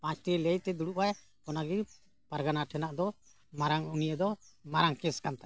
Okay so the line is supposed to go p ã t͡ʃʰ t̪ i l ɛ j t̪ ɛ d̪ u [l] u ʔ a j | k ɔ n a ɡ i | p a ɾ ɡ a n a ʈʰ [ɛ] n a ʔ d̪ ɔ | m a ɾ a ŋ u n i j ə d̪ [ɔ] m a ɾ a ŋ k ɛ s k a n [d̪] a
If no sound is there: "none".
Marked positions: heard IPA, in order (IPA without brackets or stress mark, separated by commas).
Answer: ɽ, ɛ, ɔ, t̪